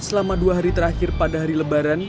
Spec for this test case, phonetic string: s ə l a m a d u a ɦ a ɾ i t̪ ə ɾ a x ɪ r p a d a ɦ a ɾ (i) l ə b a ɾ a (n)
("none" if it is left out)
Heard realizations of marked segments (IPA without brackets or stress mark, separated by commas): i, n